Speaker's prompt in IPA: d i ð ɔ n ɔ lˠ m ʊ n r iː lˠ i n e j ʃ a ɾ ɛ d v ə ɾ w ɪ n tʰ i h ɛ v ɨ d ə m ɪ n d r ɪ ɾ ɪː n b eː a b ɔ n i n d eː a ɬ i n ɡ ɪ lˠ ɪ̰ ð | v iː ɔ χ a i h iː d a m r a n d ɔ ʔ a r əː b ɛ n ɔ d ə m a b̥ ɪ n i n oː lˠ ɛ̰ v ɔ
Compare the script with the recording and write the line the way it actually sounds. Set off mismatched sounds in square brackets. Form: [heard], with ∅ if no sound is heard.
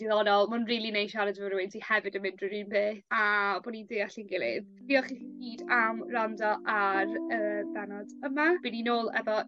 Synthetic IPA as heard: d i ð ɔ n ɔ lˠ m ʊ n r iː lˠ i n e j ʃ a ɾ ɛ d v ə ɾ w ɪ n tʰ i h ɛ v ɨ d ə m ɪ n d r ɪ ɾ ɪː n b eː a b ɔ n i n d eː a ɬ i n ɡ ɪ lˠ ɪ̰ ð | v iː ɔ χ [i] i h iː d a m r a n d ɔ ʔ a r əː b ɛ n ɔ d ə m a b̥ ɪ n i n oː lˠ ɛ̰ v ɔ